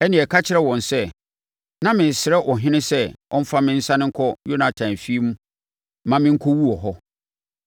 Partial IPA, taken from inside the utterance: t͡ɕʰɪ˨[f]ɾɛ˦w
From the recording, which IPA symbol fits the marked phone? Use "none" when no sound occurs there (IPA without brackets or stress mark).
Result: none